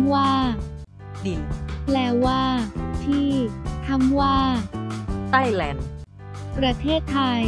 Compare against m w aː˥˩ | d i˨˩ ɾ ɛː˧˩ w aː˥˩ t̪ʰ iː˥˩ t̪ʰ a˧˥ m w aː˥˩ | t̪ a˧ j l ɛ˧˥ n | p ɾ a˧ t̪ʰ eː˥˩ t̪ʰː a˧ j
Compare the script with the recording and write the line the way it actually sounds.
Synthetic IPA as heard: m w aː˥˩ | d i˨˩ l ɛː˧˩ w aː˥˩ t̪ʰ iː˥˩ t̪ʰ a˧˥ m w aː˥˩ | t̪ a˥˩ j l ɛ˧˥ n | p ɾ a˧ t̪ʰ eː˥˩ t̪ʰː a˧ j